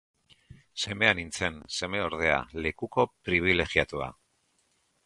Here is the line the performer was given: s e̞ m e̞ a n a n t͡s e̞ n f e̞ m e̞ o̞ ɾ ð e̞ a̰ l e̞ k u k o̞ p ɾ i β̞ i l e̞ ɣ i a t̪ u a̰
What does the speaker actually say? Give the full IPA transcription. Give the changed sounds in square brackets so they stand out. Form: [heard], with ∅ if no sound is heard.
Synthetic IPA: s e̞ m e̞ a n [i] n t͡s e̞ n [s] e̞ m e̞ o̞ ɾ ð e̞ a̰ l e̞ k u k o̞ p ɾ i β̞ i l e̞ ɣ i a t̪ u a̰